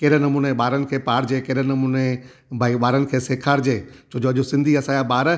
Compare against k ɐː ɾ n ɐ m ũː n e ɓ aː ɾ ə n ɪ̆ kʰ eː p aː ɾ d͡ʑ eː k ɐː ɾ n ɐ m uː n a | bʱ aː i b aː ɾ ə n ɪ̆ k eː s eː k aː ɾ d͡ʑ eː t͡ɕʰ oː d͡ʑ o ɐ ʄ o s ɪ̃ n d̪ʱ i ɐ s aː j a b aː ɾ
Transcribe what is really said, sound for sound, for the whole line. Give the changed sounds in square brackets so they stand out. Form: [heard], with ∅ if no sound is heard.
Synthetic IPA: k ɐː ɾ n ɐ m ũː n e ɓ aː ɾ ə n ɪ̆ kʰ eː p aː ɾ d͡ʑ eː k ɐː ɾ n ɐ m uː n [e] | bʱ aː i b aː ɾ ə n ɪ̆ [kʰ] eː s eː [kʰ] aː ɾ d͡ʑ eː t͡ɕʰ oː d͡ʑ o ɐ ʄ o s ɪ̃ n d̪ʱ i ɐ s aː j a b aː ɾ